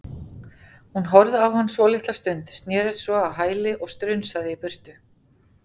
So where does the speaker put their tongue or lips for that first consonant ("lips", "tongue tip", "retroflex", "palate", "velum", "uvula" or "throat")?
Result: throat